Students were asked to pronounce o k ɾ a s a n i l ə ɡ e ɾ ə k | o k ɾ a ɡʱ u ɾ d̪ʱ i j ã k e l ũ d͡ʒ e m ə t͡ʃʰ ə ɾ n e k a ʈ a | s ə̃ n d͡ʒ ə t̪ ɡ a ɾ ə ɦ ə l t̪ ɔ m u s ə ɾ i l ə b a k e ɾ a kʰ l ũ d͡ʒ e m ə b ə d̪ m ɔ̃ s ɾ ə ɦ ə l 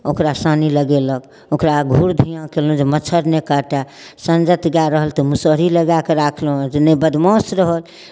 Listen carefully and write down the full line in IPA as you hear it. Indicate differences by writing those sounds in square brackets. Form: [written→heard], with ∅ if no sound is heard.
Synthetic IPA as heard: o k ɾ a s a n i l ə ɡ e [ɾ→l] ə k | o k ɾ a ɡʱ u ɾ d̪ʱ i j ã k e l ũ d͡ʒ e m ə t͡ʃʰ ə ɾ n e k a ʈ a | s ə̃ n d͡ʒ ə t̪ ɡ a ɾ ə ɦ ə l t̪ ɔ m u s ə ɾ i l ə [b→ɡ] a k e ɾ a kʰ l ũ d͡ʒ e [m→n] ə b ə d̪ m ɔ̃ s ɾ ə ɦ ə l